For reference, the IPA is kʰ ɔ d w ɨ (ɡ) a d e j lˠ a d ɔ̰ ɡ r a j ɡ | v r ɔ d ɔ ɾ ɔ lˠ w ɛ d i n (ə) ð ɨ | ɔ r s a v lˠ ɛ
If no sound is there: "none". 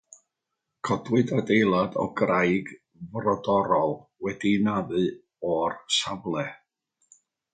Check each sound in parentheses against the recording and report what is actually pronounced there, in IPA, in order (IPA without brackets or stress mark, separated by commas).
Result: d, a